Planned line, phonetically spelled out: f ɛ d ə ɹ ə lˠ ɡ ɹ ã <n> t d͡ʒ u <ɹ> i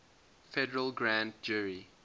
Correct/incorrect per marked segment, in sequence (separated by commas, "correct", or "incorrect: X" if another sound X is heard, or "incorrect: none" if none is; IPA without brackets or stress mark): correct, correct